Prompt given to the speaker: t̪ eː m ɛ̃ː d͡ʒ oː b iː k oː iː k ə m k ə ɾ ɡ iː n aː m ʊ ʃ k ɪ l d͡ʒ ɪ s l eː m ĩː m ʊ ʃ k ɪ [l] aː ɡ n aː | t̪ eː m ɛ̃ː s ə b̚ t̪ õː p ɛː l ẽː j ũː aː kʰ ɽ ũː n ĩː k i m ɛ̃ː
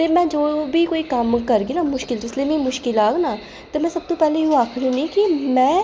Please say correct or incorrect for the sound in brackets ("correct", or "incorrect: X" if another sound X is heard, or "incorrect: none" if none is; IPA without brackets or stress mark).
correct